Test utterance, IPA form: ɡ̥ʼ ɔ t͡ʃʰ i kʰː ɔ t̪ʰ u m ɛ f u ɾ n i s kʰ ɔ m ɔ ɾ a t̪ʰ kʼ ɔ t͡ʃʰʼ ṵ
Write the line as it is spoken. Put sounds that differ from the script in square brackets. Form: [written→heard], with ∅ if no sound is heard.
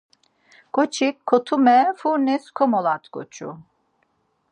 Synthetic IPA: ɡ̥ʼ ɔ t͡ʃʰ i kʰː ɔ t̪ʰ u m ɛ f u ɾ n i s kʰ ɔ m ɔ [ɾ→l] a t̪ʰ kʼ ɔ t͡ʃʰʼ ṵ